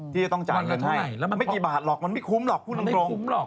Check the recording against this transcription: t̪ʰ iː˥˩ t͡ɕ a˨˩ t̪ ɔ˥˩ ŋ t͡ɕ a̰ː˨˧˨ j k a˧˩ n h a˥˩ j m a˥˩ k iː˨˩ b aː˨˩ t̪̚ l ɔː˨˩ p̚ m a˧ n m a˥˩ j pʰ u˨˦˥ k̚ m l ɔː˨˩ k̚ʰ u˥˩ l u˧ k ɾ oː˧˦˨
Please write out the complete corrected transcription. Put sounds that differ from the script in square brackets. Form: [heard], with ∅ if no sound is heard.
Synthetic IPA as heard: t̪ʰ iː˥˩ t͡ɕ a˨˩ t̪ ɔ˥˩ ŋ t͡ɕ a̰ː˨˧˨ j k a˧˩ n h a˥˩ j m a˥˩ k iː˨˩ b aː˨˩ t̪̚ l ɔː˨˩ [k̚] m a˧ n m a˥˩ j [kʰ] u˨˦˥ [∅] m l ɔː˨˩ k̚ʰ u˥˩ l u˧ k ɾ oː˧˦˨